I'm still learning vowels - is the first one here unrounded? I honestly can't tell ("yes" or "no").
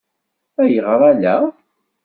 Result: yes